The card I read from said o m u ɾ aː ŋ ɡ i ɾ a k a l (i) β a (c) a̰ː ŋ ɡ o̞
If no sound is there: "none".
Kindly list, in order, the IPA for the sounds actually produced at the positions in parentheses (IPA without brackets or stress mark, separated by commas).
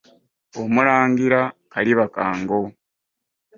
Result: i, k